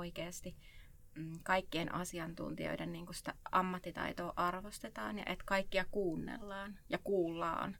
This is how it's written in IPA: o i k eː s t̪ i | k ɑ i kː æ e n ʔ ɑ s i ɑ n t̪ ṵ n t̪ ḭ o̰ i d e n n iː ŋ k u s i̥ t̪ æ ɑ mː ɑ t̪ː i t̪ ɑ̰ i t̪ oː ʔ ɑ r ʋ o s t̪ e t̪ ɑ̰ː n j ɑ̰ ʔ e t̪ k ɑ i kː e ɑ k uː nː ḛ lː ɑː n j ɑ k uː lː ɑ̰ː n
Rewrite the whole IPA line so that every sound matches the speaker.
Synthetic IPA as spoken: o i k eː s t̪ i | k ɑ i kː i e n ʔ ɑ s i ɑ n t̪ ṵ n t̪ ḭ o̰ i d e n n iː ŋ k u s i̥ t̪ æ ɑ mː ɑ t̪ː i t̪ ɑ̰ i t̪ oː ʔ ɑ r ʋ o s t̪ e t̪ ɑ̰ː n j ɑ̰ ʔ e t̪ k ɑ i kː i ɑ k uː nː ḛ lː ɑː n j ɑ k uː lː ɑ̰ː n